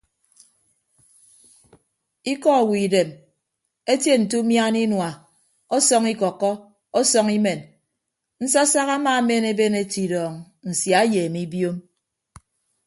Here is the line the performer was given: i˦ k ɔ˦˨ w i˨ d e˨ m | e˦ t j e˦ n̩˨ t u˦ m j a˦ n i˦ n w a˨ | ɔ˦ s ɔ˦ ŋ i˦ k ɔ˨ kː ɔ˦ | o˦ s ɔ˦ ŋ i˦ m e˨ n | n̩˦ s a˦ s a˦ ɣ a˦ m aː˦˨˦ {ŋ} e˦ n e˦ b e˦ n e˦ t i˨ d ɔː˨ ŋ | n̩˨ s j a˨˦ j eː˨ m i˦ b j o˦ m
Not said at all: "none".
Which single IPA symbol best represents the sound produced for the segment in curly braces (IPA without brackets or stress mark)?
m